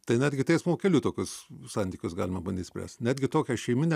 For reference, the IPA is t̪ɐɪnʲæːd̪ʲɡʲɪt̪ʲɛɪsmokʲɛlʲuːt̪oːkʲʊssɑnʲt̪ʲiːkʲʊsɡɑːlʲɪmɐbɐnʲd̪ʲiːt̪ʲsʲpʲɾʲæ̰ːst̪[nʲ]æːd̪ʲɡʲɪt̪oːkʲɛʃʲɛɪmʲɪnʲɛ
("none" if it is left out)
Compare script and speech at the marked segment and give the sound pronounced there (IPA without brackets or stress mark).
nʲ